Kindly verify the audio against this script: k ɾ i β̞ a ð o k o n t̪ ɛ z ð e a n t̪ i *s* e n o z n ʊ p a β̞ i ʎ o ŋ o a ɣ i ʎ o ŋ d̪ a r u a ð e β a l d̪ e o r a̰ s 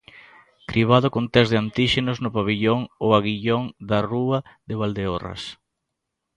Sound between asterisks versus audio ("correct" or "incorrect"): incorrect